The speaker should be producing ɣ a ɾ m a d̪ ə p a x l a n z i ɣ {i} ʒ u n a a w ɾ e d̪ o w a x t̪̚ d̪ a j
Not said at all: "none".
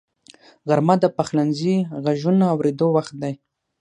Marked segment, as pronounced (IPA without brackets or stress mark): a